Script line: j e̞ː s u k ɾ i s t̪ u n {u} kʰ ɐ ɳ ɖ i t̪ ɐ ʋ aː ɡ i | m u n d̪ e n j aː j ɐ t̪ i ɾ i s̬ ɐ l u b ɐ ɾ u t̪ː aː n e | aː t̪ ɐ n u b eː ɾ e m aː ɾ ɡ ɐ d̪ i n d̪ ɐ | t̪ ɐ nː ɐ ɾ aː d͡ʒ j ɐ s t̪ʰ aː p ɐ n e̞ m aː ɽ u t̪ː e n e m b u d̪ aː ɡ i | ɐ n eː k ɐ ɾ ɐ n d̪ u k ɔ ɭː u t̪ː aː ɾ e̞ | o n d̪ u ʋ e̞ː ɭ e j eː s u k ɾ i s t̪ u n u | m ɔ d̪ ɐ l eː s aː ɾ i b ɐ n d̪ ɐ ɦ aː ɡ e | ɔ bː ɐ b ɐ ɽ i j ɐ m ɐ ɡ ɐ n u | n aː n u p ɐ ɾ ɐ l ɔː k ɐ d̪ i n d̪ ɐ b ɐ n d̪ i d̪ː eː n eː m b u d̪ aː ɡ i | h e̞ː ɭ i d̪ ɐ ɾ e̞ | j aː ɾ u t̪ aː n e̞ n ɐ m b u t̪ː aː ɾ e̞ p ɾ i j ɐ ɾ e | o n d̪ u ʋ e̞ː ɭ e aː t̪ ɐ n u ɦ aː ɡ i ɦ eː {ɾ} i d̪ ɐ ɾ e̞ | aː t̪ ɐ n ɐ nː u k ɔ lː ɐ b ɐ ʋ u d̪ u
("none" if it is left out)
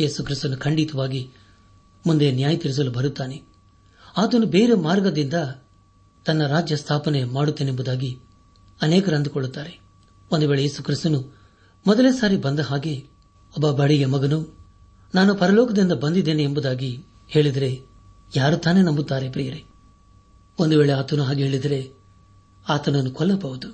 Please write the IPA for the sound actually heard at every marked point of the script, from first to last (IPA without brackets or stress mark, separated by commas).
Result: u, ɭ